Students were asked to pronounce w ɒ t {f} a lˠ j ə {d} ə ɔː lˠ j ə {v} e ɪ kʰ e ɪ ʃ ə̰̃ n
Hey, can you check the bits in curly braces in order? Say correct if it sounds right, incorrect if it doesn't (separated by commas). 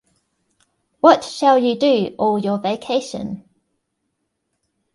incorrect, correct, correct